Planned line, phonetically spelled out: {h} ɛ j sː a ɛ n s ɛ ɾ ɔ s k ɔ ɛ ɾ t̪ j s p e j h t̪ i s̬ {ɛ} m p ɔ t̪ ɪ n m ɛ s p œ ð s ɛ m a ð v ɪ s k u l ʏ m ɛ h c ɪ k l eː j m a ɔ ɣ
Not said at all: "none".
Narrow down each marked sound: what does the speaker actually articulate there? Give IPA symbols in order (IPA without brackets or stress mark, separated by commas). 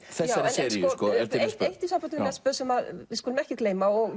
θ, a